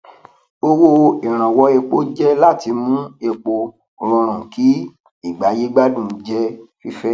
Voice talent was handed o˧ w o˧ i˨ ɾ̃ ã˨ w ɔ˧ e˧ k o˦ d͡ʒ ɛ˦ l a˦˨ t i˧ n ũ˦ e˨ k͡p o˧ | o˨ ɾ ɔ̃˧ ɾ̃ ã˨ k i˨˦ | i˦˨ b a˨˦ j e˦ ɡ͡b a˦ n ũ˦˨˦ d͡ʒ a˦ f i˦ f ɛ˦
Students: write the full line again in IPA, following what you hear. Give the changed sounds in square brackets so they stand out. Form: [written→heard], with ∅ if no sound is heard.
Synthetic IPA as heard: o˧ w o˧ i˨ ɾ̃ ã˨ w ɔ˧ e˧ [k→k͡p] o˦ d͡ʒ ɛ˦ l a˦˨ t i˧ [n→m] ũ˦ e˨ k͡p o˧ | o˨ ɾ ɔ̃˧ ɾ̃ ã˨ k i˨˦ | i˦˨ [b→ɡ͡b] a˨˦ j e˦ ɡ͡b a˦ [n→d] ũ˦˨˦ d͡ʒ [a˦→ɛ˦] f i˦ f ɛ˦